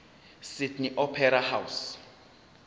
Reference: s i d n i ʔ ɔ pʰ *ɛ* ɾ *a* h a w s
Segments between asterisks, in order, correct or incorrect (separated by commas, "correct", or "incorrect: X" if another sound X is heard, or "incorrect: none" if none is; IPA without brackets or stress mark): correct, correct